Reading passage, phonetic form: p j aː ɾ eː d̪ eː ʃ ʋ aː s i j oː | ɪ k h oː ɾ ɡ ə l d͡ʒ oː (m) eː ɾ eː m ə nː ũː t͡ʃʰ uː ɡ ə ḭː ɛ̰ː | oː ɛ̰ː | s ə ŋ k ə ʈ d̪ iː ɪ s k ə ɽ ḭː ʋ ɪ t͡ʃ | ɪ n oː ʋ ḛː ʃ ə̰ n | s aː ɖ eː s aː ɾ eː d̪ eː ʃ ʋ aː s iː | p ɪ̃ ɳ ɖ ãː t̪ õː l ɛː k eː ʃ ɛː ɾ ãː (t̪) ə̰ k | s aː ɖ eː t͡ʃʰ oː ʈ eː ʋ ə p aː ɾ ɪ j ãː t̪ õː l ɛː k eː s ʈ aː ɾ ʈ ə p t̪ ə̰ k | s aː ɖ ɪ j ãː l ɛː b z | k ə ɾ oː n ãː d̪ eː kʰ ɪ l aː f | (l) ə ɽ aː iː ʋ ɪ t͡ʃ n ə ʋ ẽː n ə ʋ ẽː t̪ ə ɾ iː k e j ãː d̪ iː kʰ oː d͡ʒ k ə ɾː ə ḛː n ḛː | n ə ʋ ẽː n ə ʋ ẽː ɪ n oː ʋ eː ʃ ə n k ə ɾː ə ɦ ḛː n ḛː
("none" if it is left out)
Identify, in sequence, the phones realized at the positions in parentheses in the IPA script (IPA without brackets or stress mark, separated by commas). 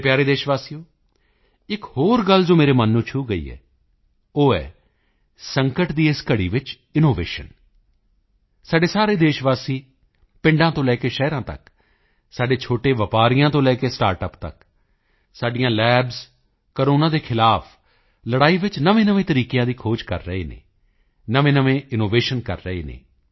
m, t̪, l